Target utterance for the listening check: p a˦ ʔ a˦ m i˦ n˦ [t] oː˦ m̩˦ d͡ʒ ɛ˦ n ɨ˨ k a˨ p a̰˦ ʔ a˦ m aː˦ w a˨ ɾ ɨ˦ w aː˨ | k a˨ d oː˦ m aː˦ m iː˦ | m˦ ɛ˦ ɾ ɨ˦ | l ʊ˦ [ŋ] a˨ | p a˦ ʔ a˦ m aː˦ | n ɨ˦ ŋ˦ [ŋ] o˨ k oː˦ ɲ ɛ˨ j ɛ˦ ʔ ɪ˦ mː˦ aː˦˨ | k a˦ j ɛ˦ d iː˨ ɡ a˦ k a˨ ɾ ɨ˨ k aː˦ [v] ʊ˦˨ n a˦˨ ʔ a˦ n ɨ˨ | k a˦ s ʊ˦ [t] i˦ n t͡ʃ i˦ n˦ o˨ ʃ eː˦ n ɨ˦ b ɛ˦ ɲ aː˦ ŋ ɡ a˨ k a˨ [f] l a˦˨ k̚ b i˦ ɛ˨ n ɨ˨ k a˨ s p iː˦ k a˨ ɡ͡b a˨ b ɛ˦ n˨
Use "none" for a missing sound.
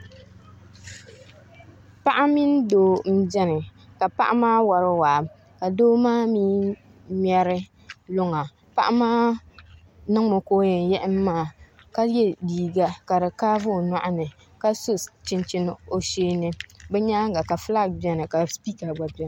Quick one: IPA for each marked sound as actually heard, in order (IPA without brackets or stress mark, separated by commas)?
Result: d, ŋ, m, v, t͡ʃ, f